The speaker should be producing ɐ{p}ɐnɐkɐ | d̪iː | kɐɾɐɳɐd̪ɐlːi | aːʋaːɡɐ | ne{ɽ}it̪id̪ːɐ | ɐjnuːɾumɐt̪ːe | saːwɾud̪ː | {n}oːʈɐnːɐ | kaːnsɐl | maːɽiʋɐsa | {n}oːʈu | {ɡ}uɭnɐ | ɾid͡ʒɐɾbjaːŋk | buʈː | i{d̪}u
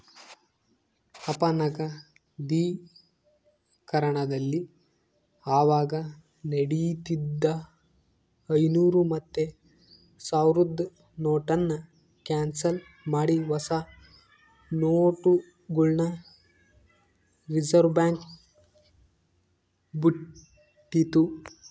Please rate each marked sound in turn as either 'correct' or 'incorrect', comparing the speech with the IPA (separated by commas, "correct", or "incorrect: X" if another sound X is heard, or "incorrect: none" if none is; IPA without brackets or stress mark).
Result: correct, correct, correct, correct, correct, incorrect: t̪